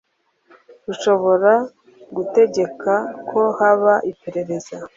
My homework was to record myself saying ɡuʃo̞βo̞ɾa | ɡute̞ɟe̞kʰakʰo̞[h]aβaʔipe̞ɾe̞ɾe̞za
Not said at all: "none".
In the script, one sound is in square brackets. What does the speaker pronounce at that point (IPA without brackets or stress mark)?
h